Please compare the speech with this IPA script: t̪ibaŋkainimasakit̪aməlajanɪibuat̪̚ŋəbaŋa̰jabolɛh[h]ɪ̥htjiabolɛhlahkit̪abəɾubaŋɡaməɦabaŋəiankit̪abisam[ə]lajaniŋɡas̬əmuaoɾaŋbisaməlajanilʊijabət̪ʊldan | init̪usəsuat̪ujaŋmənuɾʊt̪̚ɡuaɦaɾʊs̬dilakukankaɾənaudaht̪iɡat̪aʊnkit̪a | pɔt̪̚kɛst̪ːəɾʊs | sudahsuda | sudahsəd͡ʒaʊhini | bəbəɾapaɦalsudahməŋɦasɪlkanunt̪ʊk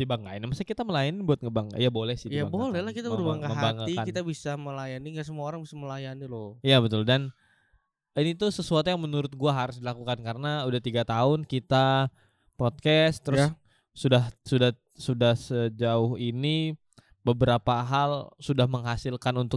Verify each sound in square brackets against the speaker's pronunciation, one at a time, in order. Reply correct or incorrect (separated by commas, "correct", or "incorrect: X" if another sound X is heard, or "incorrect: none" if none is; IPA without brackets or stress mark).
incorrect: s, correct